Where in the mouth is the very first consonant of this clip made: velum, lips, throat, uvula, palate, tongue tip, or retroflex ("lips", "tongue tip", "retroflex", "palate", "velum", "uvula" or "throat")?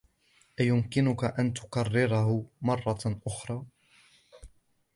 throat